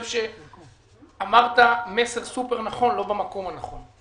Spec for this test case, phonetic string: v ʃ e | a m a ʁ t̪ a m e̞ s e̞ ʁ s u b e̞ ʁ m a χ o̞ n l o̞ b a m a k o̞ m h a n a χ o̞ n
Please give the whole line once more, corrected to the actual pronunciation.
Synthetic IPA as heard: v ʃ e | a m a ʁ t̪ a m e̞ s e̞ ʁ s u p e̞ ʁ n a χ o̞ n l o̞ b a m a k o̞ m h a n a χ o̞ n